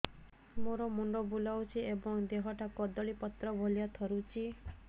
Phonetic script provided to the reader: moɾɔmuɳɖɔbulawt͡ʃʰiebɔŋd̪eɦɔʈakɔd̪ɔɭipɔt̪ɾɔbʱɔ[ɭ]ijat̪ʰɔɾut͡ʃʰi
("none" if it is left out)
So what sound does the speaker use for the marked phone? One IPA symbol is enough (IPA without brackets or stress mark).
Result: l